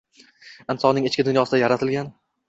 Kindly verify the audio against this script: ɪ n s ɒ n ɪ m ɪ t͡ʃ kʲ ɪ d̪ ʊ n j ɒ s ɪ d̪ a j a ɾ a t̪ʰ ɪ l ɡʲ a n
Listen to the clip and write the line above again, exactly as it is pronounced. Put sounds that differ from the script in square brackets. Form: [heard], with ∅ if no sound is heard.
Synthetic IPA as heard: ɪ n s ɒ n ɪ [ŋ] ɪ t͡ʃ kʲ ɪ d̪ ʊ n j ɒ s ɪ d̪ a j a ɾ a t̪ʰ ɪ l ɡʲ a n

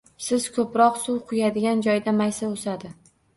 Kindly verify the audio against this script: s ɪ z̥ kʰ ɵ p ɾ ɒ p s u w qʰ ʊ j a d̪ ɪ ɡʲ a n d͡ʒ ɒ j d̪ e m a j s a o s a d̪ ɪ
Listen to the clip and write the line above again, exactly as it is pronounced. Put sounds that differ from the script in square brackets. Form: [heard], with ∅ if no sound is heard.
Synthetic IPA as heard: s ɪ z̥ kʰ ɵ p ɾ ɒ [q] s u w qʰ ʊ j a d̪ ɪ ɡʲ a n d͡ʒ ɒ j d̪ [a] m a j s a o s a d̪ ɪ

